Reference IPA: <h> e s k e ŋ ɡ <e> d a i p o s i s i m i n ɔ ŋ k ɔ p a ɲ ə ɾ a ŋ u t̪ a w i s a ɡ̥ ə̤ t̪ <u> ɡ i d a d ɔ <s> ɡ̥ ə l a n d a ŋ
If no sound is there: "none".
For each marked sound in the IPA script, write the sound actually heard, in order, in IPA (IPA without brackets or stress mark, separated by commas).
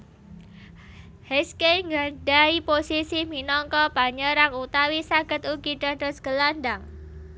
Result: h, a, u, s